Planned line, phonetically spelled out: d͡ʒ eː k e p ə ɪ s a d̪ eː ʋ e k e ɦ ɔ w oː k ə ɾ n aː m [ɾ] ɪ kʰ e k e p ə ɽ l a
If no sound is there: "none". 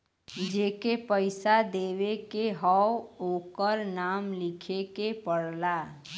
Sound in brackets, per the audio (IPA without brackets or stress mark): l